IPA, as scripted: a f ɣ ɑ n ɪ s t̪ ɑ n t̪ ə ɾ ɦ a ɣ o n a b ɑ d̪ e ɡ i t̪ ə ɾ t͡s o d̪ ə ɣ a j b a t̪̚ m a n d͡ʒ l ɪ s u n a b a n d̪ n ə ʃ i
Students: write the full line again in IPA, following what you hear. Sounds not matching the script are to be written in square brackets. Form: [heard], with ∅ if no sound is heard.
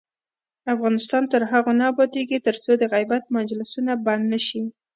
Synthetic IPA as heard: a f ɣ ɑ n ɪ s t̪ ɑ n t̪ ə ɾ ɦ a ɣ o n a b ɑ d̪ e ɡ i t̪ ə ɾ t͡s o d̪ ə ɣ a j b a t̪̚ m a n d͡ʒ l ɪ s u n a b a n d̪ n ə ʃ i